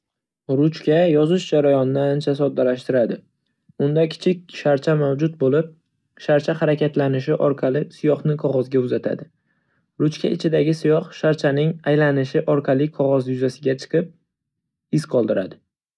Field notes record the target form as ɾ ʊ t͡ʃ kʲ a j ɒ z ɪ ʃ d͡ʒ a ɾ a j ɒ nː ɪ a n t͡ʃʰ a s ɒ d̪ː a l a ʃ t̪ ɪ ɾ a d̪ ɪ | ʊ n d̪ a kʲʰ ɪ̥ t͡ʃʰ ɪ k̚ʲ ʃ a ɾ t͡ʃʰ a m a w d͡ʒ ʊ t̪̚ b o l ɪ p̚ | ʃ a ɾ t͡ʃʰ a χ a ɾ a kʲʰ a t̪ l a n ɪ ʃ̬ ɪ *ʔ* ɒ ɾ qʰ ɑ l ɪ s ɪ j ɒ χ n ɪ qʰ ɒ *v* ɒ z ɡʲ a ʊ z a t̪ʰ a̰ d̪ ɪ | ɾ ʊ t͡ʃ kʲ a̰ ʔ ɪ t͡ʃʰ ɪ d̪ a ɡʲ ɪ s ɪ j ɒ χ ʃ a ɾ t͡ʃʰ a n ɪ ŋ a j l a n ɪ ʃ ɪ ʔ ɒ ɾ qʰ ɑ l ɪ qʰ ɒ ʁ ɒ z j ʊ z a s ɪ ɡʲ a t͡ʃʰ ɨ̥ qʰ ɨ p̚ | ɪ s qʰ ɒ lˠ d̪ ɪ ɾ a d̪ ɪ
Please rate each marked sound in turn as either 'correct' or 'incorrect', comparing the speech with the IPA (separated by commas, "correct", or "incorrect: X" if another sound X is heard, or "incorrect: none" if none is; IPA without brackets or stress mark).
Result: correct, incorrect: ʁ